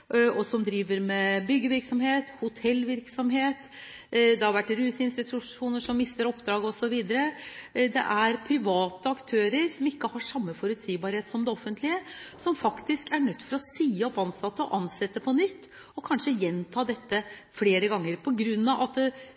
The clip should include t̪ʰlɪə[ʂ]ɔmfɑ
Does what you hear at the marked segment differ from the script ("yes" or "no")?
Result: yes